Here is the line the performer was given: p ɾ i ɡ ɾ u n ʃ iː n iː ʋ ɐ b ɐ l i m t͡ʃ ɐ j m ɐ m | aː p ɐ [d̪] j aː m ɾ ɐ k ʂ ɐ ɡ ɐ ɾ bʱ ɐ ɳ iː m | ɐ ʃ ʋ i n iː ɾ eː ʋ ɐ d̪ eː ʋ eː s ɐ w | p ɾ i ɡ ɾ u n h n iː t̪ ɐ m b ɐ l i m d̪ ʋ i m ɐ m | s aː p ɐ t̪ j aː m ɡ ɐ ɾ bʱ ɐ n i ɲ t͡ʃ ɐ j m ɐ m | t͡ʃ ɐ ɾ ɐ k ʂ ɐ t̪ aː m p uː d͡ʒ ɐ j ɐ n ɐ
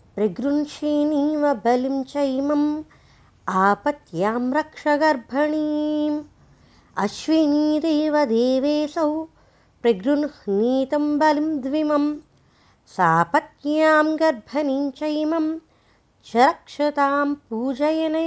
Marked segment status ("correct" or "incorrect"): incorrect